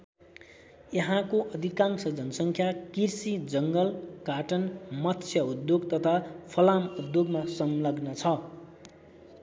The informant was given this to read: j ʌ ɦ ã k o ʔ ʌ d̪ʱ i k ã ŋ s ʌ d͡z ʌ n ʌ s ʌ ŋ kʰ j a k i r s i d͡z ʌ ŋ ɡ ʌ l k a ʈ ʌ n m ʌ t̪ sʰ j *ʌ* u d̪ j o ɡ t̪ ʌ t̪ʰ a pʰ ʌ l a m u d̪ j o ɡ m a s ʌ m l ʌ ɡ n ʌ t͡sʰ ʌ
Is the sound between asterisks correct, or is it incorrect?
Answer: correct